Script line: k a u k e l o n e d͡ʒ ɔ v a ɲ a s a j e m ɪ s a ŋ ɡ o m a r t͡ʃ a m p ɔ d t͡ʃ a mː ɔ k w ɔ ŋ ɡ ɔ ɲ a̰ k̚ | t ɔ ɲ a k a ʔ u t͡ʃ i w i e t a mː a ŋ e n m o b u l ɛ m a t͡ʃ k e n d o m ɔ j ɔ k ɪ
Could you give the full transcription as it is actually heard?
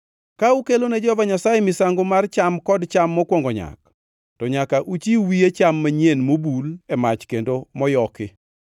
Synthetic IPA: k a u k e l o n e d͡ʒ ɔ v a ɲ a s a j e m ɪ s a ŋ ɡ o m a r t͡ʃ a m k ɔ d t͡ʃ a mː ɔ k w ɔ ŋ ɡ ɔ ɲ a̰ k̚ | t ɔ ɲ a k a ʔ u t͡ʃ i w i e t͡ʃ a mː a ɲ e n m o b u l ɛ m a t͡ʃ k e n d o m ɔ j ɔ k ɪ